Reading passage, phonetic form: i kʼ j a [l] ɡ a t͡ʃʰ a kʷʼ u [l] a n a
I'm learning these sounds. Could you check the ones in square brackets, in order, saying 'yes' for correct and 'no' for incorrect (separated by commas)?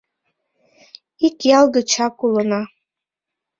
yes, yes